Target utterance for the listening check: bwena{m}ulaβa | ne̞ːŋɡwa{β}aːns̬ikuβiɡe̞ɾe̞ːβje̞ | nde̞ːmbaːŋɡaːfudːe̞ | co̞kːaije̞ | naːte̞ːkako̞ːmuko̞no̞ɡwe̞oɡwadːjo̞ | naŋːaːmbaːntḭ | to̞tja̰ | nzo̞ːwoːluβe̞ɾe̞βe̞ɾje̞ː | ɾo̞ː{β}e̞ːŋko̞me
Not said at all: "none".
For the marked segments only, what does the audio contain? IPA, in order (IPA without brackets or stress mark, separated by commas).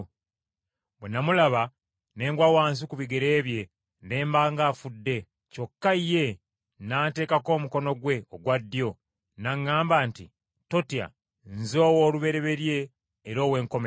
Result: m, w, w